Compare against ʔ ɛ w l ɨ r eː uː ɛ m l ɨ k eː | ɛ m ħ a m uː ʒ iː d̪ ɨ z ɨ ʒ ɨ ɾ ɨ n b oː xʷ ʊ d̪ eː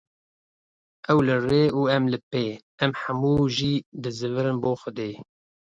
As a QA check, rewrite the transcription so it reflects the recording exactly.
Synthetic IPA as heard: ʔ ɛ w l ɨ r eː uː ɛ m l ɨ p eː | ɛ m ħ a m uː ʒ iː d̪ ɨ z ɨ v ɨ ɾ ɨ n b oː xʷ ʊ d̪ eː